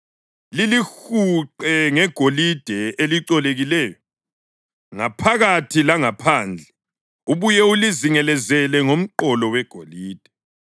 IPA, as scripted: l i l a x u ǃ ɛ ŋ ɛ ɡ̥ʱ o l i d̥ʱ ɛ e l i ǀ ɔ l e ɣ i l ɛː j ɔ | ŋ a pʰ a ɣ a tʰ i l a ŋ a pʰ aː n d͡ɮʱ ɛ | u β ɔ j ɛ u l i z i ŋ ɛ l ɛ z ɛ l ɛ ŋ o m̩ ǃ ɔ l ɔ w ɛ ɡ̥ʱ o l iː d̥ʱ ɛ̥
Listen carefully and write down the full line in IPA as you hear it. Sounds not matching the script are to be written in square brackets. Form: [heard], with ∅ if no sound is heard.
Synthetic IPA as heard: l i l [i] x u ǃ ɛ ŋ ɛ ɡ̥ʱ o l i d̥ʱ ɛ e l i ǀ ɔ l e ɣ i l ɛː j ɔ | ŋ a pʰ a ɣ a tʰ i l a ŋ a pʰ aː n d͡ɮʱ ɛ | u β [u] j ɛ u l i z i ŋ ɛ l ɛ z ɛ l ɛ ŋ o m̩ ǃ ɔ l ɔ w ɛ ɡ̥ʱ o l iː d̥ʱ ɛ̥